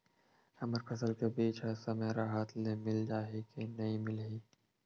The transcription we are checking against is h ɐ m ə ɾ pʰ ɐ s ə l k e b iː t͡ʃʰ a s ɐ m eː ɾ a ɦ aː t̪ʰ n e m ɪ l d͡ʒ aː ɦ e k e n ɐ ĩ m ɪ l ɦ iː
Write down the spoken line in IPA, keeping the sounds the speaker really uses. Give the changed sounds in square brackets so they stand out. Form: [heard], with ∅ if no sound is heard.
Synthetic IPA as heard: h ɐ m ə ɾ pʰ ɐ s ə l k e b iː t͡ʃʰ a s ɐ m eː ɾ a ɦ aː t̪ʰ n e m ɪ l d͡ʒ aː ɦ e k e n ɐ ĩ m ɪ l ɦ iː